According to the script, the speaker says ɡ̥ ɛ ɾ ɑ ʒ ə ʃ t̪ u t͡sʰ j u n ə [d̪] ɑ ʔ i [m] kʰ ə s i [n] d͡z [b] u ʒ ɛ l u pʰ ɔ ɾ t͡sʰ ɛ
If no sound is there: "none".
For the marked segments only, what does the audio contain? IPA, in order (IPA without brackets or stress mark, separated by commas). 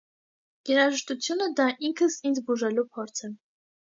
d̪, ŋ, n, b